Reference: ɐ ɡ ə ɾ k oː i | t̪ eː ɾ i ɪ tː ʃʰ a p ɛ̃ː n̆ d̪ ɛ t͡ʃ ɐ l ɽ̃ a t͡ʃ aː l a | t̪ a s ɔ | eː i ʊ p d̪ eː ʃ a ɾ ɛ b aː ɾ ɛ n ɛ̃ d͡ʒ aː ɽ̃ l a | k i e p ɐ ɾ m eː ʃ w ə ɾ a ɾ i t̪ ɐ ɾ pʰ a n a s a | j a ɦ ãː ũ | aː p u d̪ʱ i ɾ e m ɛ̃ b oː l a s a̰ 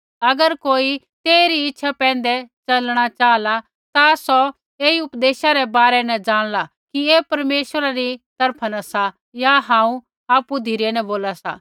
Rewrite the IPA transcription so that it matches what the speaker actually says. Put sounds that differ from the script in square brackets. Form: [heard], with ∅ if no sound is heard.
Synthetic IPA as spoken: ɐ ɡ ə ɾ k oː i | t̪ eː ɾ i ɪ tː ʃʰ a p ɛ̃ː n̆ d̪ ɛ t͡ʃ ɐ l ɽ̃ a t͡ʃ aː l a | t̪ a s ɔ | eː i ʊ p d̪ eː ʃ a ɾ ɛ b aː ɾ ɛ n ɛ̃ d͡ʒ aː ɽ̃ l a | k i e p ɐ ɾ m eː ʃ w ə ɾ a ɾ i t̪ ɐ ɾ pʰ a n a s a | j a ɦ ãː ũ | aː p u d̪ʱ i ɾ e [n] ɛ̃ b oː l a s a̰